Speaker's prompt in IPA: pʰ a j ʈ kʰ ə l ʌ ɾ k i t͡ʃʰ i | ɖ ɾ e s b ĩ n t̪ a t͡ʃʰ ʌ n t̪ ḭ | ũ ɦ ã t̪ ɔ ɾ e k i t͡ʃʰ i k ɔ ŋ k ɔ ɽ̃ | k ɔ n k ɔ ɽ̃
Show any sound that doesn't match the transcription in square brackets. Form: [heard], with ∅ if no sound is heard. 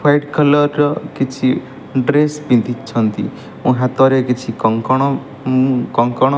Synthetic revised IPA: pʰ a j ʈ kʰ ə l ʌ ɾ k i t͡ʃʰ i | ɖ ɾ e s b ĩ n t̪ [i] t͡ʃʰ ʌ n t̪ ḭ | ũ ɦ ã t̪ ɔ ɾ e k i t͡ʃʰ i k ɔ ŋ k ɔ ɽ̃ | k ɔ [ŋ] k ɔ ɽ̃